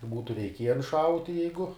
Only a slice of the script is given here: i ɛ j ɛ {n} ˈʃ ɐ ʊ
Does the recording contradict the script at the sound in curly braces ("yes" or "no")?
no